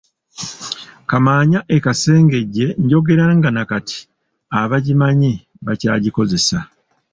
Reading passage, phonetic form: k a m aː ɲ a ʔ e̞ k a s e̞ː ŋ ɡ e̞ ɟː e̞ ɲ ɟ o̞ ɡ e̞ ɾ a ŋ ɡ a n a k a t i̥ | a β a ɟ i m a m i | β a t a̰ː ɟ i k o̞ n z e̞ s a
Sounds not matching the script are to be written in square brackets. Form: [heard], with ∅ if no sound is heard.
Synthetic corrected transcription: k a m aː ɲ a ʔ e̞ k a s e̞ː ŋ ɡ e̞ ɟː e̞ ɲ ɟ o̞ ɡ e̞ ɾ a ŋ ɡ a n a k a t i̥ | a β a ɟ i m a [ɲ] i | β a [c] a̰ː ɟ i k o̞ [∅] z e̞ s a